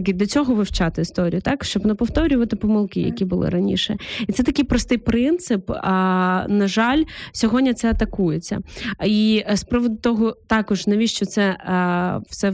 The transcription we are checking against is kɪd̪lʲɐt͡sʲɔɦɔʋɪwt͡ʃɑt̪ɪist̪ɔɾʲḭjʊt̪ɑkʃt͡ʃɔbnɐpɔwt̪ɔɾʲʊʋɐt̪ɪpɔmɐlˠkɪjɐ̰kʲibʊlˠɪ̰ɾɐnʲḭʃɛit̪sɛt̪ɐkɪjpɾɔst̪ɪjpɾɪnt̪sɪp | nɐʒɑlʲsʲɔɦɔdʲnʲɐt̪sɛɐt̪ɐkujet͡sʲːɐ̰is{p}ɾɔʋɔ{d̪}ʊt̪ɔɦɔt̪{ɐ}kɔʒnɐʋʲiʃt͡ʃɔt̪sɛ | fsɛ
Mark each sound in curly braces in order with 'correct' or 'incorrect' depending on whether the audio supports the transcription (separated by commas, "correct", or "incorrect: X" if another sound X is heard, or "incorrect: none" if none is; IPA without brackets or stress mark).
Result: correct, correct, incorrect: ɑ